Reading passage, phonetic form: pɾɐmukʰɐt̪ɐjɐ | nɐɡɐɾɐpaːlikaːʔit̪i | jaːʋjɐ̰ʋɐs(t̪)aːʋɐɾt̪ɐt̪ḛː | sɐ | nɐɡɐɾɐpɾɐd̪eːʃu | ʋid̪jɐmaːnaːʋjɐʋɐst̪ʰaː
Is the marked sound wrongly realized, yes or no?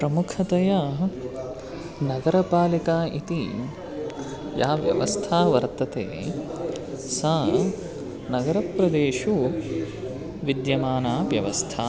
yes